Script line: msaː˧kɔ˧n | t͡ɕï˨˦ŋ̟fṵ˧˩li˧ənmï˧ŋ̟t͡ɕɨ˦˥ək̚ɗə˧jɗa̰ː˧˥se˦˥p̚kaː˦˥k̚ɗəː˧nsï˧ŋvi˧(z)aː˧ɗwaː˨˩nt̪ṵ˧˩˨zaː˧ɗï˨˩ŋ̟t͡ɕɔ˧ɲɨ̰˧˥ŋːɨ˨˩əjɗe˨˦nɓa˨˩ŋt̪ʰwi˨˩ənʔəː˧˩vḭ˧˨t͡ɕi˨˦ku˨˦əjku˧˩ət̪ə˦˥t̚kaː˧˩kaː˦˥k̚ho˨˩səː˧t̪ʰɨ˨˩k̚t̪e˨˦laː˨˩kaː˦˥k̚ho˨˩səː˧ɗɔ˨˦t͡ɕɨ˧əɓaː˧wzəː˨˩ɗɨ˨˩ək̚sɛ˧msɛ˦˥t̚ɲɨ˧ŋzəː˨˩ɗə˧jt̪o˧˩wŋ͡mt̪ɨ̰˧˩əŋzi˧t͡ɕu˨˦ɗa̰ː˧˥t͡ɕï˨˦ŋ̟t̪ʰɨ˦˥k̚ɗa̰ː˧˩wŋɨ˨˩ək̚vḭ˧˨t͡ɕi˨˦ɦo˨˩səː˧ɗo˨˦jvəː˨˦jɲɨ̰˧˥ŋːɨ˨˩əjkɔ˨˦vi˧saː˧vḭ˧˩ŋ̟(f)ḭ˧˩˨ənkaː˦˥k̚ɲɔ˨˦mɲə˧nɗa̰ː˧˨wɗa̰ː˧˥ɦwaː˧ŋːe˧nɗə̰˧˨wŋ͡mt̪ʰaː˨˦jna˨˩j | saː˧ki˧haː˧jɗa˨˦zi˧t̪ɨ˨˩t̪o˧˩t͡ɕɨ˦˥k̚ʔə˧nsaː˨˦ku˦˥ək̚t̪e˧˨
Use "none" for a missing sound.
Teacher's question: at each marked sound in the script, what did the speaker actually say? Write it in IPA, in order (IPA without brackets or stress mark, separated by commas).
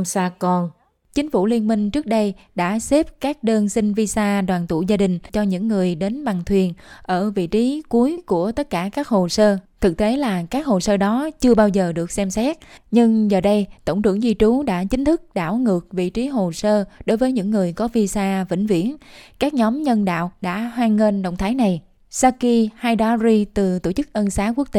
s, v